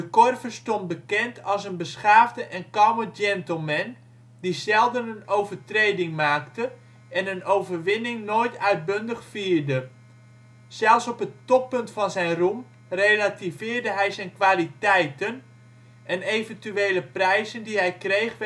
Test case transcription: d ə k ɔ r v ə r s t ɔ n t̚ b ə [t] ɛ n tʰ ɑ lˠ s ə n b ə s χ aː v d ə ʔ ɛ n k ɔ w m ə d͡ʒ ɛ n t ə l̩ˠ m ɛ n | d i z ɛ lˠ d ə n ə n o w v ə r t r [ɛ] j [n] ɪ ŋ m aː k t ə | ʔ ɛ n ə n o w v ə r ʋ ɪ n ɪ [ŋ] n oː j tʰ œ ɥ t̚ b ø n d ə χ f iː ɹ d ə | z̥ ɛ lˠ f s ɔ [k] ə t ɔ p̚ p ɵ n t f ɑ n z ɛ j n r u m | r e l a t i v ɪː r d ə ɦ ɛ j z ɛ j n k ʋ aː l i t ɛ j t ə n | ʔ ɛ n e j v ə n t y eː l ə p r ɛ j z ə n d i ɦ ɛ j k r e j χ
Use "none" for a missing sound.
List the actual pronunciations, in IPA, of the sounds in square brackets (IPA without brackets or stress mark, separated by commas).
k, e, d, ŋ, p